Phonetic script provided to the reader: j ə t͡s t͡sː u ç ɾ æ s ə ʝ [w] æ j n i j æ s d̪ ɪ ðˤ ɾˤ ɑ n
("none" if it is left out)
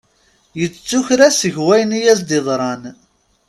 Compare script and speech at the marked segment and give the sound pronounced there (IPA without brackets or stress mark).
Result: w